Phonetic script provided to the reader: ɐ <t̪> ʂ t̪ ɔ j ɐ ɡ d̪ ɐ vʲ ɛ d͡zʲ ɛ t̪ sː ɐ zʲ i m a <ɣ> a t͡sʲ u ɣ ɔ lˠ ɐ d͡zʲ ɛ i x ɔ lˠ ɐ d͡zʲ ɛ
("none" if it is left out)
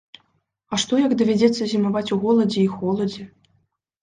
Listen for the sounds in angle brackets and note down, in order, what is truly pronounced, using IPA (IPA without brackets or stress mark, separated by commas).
none, v